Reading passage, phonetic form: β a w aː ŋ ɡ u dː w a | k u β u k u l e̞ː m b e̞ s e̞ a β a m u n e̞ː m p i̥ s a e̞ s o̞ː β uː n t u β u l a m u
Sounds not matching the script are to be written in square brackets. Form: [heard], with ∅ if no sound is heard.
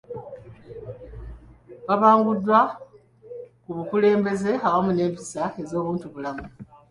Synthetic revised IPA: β a [β] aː ŋ ɡ u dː w a | k u β u k u l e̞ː m b e̞ [z] e̞ a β a m u n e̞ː m p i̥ s a e̞ [z] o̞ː β uː n t u β u l a m u